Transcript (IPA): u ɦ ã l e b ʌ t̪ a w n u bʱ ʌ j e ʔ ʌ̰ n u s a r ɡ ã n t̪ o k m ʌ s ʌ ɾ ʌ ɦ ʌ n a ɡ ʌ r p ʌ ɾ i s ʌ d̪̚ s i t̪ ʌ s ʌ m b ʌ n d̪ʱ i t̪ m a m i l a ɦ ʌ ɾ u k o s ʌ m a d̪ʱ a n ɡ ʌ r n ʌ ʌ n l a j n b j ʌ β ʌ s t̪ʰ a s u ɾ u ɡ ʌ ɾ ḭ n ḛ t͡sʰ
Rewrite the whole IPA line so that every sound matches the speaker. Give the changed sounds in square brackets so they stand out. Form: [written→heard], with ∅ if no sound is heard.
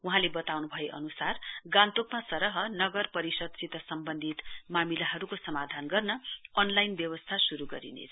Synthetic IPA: u ɦ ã l e b ʌ t̪ a w n u bʱ ʌ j e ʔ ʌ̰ n u s a r ɡ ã n t̪ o k m [ʌ→a] s ʌ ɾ ʌ ɦ ʌ n [a→ʌ] ɡ ʌ r p ʌ ɾ i s ʌ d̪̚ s i t̪ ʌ s ʌ m b ʌ n d̪ʱ i t̪ m a m i l a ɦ ʌ ɾ u k o s ʌ m a d̪ʱ a n ɡ ʌ r n ʌ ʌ n l a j n b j ʌ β ʌ s t̪ʰ a s u ɾ u ɡ ʌ ɾ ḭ n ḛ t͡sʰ